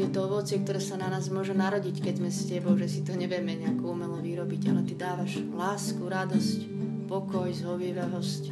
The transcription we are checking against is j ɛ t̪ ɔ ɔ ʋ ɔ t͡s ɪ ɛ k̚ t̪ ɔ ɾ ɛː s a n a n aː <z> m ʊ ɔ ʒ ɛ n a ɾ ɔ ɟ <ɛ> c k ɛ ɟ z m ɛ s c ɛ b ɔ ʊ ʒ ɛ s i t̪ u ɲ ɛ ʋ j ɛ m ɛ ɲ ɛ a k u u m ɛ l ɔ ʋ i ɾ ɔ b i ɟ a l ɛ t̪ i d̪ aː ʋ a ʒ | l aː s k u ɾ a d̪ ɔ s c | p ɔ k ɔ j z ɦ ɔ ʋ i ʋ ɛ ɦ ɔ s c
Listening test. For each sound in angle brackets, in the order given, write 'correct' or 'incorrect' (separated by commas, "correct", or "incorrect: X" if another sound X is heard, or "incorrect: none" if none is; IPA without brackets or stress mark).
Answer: correct, incorrect: i